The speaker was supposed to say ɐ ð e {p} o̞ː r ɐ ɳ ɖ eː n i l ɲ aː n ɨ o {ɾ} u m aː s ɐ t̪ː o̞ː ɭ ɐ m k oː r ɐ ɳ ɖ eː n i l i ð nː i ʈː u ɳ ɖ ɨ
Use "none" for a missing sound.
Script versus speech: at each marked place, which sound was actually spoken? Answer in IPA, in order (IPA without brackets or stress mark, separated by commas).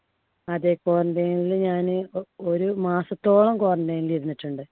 k, ɾ